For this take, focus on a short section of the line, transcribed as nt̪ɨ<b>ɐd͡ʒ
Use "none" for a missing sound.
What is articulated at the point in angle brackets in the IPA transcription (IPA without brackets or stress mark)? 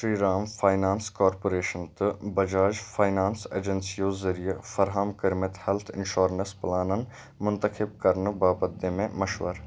b